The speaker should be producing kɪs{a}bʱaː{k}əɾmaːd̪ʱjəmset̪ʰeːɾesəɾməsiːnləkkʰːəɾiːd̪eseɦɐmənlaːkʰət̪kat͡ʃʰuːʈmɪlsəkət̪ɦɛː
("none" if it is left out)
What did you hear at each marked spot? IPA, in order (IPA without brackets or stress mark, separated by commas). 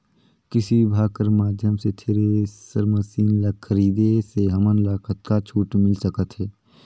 i, k